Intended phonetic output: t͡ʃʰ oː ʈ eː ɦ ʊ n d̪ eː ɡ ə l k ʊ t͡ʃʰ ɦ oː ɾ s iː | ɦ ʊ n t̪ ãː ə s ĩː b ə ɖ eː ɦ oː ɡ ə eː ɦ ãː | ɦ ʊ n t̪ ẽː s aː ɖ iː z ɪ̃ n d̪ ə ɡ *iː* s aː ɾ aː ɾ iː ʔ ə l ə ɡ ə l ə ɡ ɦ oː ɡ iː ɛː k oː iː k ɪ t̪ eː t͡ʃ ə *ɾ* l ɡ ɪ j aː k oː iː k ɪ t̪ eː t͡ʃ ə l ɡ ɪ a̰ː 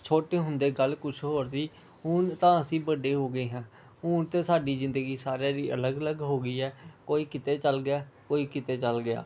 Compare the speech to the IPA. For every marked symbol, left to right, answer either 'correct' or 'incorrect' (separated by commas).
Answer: correct, incorrect